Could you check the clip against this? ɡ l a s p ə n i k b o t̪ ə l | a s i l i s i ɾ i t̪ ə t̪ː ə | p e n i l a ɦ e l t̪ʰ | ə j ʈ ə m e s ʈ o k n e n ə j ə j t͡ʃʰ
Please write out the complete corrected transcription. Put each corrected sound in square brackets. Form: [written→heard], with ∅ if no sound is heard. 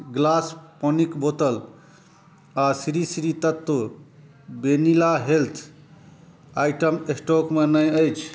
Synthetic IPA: ɡ l a s p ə n i k b o t̪ ə l | a s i [l→ɾ] i s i ɾ i t̪ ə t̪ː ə | [p→b] e n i l a ɦ e l t̪ʰ | [ə→a] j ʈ ə m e s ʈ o k [n→m] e n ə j ə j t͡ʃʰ